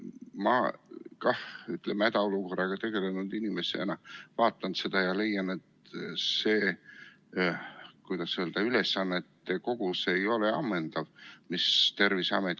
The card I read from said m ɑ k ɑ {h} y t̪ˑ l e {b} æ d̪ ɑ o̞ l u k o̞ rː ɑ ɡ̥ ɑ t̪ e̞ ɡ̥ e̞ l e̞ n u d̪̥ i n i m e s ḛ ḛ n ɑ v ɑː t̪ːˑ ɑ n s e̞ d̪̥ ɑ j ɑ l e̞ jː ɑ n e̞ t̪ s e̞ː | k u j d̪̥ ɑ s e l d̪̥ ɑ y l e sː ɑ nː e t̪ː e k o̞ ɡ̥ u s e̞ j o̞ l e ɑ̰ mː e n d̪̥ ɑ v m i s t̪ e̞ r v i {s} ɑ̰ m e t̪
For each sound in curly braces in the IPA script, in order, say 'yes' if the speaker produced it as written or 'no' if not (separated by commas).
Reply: yes, no, yes